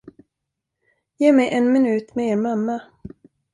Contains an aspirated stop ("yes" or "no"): no